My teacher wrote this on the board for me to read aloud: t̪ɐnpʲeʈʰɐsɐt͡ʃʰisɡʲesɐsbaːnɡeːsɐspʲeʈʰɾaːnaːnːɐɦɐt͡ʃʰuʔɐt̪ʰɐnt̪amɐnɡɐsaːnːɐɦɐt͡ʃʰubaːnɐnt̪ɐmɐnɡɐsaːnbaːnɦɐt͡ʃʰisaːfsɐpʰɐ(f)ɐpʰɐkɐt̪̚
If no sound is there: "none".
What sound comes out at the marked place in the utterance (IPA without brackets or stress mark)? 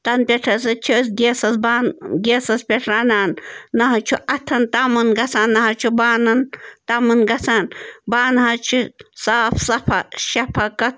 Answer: ʃ